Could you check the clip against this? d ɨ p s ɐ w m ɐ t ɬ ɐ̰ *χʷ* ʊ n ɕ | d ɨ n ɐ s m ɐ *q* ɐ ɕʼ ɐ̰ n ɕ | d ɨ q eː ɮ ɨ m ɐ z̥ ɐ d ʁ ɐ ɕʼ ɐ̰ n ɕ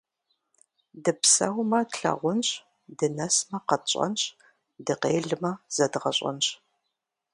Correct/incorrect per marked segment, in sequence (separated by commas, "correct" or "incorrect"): incorrect, correct